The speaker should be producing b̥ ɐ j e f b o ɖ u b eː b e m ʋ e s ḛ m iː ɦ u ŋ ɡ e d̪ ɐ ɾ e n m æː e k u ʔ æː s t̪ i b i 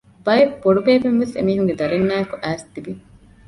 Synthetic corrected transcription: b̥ ɐ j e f b o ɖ u b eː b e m ʋ e s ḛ m iː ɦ u ŋ ɡ e d̪ ɐ ɾ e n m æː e k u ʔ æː s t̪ i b i